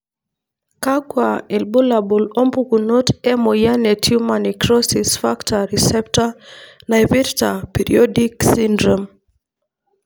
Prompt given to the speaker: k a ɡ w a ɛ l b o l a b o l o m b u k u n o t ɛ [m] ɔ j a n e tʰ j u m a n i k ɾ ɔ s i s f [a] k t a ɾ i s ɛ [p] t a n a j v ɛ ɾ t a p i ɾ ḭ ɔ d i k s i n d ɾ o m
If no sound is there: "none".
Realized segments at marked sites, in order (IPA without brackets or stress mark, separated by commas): m, a, p